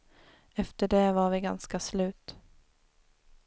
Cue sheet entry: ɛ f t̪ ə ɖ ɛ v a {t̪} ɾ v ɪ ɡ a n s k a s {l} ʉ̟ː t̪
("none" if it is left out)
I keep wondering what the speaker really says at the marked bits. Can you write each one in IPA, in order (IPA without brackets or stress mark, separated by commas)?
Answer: none, l